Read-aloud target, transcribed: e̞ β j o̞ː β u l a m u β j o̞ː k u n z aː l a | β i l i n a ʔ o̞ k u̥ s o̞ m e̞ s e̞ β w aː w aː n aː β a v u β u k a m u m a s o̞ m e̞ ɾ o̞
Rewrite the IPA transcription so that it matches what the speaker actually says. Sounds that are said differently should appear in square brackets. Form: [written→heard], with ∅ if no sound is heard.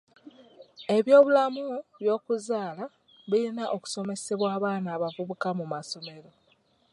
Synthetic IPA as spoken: e̞ β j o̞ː β u l a m u β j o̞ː k u [n→∅] z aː l a | β i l i n a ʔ o̞ k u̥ s o̞ m e̞ s e̞ β w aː [w→β] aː n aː β a v u β u k a m u m a s o̞ m e̞ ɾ o̞